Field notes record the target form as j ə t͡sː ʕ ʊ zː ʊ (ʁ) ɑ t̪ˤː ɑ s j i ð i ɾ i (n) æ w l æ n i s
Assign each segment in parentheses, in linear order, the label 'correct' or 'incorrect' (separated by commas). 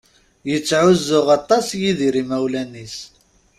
correct, incorrect